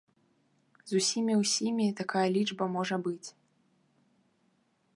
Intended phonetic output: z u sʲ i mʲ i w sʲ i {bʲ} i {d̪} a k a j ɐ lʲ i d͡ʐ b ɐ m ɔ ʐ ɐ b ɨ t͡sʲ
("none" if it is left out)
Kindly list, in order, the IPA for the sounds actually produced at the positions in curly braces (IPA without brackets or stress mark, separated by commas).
mʲ, t̪